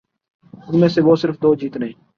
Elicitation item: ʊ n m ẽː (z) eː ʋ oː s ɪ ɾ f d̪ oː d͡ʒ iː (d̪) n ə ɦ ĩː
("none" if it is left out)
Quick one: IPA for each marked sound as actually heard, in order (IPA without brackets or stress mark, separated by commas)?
s, t̪